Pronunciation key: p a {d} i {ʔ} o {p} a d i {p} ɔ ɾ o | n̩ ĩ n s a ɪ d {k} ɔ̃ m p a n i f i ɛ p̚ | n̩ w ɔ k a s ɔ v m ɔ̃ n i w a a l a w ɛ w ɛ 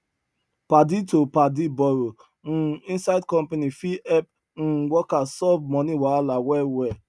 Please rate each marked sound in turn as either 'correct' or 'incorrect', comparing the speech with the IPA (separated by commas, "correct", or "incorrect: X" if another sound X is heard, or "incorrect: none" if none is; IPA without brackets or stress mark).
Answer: correct, incorrect: t, correct, incorrect: b, correct